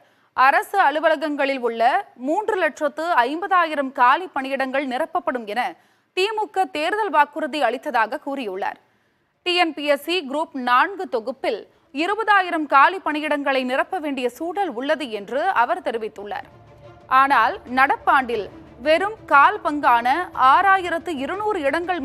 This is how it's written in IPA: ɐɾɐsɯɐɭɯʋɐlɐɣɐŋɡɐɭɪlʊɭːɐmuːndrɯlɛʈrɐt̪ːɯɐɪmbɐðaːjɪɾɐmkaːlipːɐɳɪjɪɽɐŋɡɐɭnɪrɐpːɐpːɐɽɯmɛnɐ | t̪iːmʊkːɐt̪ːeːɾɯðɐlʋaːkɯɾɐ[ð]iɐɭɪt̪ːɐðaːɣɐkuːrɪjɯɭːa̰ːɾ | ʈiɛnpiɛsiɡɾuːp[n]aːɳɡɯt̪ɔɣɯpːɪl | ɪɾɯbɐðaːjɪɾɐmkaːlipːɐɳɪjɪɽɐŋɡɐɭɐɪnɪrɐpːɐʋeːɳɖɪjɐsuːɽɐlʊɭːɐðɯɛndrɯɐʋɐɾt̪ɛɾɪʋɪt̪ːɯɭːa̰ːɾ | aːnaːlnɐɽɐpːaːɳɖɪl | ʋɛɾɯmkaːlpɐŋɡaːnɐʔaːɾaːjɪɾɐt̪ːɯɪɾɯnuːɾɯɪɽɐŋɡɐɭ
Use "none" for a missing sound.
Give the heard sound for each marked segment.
ð, n

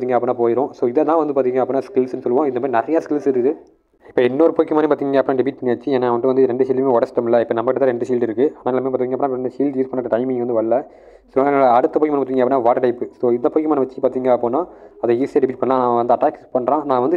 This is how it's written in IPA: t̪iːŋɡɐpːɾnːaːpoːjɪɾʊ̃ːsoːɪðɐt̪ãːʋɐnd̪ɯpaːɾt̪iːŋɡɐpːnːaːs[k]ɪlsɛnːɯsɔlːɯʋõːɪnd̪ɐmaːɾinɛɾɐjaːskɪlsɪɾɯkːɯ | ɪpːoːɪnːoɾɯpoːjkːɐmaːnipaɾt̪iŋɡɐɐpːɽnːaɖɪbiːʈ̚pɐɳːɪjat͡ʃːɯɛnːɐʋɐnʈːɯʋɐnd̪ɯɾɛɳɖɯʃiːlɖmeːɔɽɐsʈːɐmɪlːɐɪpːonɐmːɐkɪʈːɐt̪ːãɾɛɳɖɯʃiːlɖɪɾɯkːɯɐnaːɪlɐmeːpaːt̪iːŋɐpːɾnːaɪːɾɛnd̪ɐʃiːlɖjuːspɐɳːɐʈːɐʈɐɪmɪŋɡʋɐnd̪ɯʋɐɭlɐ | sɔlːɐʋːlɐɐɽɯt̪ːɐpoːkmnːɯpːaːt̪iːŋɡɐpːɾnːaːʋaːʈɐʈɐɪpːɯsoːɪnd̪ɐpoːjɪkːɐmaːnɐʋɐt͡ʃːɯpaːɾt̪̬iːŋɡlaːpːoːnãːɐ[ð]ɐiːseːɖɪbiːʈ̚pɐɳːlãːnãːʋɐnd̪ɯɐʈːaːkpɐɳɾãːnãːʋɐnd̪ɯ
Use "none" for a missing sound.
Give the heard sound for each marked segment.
k, ð

